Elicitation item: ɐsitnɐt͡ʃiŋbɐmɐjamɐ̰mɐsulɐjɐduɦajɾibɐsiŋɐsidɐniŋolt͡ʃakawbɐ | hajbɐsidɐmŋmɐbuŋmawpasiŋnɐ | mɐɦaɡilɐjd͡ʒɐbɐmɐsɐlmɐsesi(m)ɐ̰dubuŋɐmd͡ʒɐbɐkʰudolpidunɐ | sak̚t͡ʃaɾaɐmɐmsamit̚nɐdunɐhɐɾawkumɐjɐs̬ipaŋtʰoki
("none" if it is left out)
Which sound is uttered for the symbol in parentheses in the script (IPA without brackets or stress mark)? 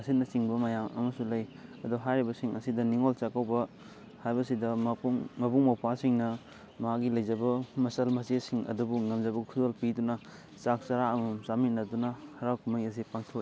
ŋ